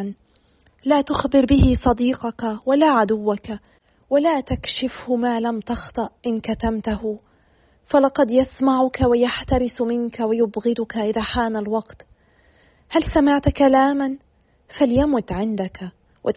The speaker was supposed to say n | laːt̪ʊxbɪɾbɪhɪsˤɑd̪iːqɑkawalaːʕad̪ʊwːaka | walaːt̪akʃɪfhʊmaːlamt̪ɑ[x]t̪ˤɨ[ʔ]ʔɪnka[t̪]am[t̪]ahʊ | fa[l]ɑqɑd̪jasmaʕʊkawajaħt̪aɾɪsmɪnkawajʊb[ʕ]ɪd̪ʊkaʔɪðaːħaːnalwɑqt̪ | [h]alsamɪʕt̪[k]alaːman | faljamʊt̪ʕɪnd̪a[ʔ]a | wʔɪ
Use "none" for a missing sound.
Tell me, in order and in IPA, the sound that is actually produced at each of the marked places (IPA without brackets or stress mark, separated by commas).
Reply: x, ʔ, t̪, t̪, l, ɣ, h, k, k